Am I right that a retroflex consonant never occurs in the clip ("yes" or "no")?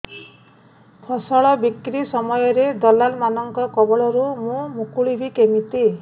no